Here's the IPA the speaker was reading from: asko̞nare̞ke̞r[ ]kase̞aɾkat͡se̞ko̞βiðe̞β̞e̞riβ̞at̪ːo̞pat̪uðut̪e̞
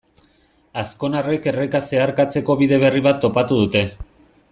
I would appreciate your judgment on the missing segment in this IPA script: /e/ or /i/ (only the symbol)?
e